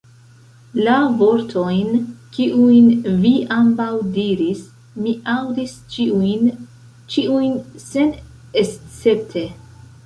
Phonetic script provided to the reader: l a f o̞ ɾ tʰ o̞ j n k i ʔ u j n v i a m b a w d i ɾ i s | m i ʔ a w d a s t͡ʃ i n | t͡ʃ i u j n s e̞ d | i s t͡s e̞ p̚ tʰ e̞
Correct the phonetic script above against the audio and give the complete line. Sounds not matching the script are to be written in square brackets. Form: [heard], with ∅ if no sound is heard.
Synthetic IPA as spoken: l a [v] o̞ ɾ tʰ o̞ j n k i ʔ u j n v i a m b a w d i ɾ i s | m i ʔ a w d [i] s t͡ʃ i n | t͡ʃ i u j n s e̞ [n] | [e] s t͡s e̞ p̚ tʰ e̞